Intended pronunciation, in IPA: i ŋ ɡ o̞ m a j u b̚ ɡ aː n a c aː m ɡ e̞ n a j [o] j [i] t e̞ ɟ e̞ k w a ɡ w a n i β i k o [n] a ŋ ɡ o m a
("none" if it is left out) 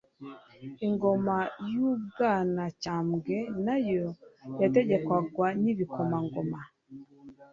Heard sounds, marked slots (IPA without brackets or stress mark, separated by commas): o, a, m